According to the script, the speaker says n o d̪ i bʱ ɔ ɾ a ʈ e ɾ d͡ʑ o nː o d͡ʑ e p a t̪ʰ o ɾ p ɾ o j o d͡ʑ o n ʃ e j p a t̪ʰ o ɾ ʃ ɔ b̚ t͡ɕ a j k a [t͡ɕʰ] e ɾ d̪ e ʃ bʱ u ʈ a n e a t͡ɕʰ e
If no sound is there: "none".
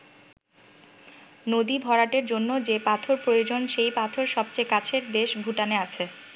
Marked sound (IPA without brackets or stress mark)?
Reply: t͡ɕʰ